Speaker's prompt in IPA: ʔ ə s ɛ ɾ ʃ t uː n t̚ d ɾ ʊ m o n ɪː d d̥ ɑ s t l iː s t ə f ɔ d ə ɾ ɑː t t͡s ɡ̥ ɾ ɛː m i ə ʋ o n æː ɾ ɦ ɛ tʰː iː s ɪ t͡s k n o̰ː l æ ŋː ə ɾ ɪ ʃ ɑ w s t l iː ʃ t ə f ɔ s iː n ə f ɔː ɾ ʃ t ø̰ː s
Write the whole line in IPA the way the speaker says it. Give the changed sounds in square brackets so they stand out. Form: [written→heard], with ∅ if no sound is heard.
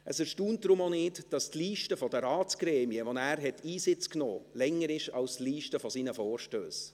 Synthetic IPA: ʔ ə s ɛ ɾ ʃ t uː n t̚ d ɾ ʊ m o n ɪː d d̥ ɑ s t l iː [s→ʃ] t ə f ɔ d ə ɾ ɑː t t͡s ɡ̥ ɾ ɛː m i ə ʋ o n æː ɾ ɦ ɛ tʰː iː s ɪ t͡s k n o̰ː l [æ→ɛ] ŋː ə ɾ ɪ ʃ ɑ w s t l iː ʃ t ə f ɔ s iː n ə f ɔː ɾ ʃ t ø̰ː s

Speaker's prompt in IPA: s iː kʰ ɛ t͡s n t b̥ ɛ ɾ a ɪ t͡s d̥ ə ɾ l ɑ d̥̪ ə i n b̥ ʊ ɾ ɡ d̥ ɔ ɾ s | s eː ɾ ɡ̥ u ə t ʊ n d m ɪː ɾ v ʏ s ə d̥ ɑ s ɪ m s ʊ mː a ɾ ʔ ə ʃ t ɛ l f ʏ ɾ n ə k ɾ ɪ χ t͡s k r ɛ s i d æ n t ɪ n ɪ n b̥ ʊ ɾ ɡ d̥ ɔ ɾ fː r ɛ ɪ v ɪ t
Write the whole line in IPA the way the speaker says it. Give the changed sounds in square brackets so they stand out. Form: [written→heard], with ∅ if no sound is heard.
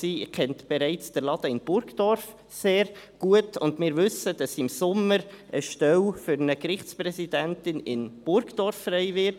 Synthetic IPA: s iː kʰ ɛ [t͡s→∅] n t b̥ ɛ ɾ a ɪ t͡s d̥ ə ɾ l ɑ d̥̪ ə [i→ɪ] n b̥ ʊ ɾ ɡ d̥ ɔ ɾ [s→f] | s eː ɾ ɡ̥ u ə t ʊ n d m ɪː ɾ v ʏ s ə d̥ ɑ s ɪ m s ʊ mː [a→ə] ɾ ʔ ə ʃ t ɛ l f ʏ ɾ n ə k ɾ ɪ χ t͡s [k→p] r ɛ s i d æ n t ɪ n ɪ n b̥ ʊ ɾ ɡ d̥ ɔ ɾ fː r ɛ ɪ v ɪ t

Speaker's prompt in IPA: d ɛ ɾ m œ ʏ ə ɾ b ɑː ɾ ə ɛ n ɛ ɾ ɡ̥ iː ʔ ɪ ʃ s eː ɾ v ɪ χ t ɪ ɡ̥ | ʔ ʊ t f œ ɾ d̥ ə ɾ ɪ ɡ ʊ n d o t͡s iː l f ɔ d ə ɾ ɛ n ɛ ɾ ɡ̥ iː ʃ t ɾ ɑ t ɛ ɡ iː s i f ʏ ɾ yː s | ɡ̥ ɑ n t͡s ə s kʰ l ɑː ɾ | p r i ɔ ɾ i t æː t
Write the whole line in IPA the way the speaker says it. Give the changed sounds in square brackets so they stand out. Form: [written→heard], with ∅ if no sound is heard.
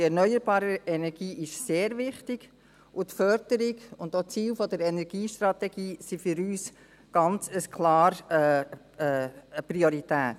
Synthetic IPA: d ɛ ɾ [m→n] œ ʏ ə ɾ b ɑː ɾ ə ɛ n ɛ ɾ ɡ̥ iː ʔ ɪ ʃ s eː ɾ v ɪ χ t ɪ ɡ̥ | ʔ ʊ t f œ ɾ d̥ ə ɾ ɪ ɡ ʊ n d o t͡s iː l f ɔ d ə ɾ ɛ n ɛ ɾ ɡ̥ iː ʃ t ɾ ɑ t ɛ ɡ iː s i f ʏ ɾ yː s | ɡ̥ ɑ n t͡s ə s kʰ l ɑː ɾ | p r i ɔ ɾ i t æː t

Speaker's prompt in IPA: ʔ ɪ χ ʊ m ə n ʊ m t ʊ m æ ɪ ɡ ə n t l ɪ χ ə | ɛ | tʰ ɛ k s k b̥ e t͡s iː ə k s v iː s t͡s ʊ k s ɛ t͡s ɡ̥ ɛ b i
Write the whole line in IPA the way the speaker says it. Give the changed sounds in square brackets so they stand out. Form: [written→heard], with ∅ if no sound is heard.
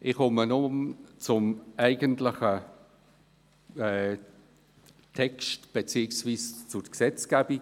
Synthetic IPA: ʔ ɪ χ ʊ m ə n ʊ m [t→t͡s] ʊ m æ ɪ ɡ ə n t l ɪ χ ə | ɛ | tʰ ɛ k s [k→t] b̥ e t͡s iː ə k s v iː s t͡s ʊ k s ɛ t͡s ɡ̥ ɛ b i

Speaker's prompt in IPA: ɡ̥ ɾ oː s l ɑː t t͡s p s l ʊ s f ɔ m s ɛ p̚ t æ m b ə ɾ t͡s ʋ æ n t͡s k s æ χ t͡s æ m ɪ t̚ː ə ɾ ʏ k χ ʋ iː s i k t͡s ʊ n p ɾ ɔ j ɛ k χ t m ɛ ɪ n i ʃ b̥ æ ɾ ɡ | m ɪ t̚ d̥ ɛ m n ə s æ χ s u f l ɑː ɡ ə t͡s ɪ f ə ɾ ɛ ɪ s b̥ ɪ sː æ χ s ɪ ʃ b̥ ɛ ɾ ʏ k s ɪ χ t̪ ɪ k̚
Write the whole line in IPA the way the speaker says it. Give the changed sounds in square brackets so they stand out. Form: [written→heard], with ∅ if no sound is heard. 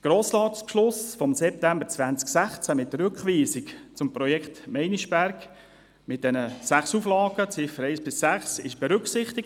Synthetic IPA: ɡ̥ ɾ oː s l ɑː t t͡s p [s→ʃ] l ʊ s f ɔ m s ɛ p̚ t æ m b ə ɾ t͡s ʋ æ n t͡s k s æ χ t͡s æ m ɪ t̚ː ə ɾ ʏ k χ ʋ iː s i k t͡s ʊ [n→m] p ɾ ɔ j ɛ k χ t m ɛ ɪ n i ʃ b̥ æ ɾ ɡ | m ɪ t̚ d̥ ɛ [m→∅] n ə s æ χ s u f l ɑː ɡ ə t͡s ɪ f ə ɾ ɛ ɪ s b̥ ɪ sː æ χ s ɪ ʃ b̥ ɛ ɾ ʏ k s ɪ χ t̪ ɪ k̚

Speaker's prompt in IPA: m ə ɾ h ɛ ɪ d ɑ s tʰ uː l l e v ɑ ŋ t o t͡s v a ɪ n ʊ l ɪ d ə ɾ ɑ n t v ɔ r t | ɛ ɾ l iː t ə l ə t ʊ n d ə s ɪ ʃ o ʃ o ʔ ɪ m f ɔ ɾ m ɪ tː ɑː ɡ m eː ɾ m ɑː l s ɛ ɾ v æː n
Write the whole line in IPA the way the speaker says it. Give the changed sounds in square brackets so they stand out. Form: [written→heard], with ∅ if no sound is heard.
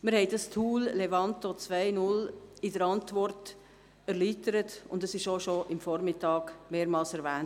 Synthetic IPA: m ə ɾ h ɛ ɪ d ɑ s tʰ uː l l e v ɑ [ŋ→n] t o t͡s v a ɪ n ʊ l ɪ d ə ɾ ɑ n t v ɔ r t | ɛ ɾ l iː t ə [l→ɾ] ə t ʊ n d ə s ɪ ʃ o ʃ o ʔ ɪ m f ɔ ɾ m ɪ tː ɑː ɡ m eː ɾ m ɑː l s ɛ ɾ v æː n

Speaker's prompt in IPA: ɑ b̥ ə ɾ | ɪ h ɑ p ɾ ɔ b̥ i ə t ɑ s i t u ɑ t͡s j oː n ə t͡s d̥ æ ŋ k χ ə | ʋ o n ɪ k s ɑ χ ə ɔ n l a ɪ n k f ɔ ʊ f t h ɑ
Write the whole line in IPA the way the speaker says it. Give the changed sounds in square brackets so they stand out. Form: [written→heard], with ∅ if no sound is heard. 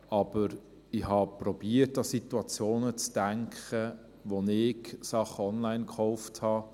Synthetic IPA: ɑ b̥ ə ɾ | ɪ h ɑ p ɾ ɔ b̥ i ə t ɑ s i t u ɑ t͡s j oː n ə t͡s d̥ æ ŋ k χ ə | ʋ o n ɪ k s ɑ χ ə ɔ n l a ɪ n k [f→χ] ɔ ʊ f t h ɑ

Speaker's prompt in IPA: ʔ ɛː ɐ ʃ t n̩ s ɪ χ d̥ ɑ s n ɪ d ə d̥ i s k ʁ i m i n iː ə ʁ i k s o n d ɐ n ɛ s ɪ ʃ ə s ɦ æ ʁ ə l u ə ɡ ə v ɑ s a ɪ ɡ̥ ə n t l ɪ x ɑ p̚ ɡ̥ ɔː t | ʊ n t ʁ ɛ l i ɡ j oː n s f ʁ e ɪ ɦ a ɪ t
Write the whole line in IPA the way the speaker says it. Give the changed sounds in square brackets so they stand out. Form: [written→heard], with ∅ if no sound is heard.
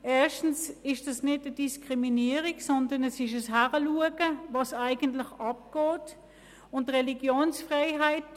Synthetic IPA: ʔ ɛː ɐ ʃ t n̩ s ɪ [χ→ʃ] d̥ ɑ s n ɪ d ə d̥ i s k ʁ i m i n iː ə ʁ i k s [o→ɔ] n d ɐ n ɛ s ɪ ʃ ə s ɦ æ ʁ ə l u ə ɡ ə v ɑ s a ɪ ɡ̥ ə n t l ɪ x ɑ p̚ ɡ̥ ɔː t | ʊ n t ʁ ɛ l i ɡ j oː n s f ʁ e ɪ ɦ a ɪ t

